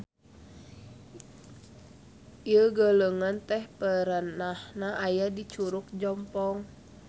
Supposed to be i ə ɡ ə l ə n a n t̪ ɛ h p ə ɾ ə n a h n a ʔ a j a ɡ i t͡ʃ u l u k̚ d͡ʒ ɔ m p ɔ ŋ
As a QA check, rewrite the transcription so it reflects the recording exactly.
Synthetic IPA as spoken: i ə ɡ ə l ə ŋ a n t̪ ɛ h p ə ɾ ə n a h n a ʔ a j a d i t͡ʃ u ɾ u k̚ d͡ʒ ɔ m p ɔ ŋ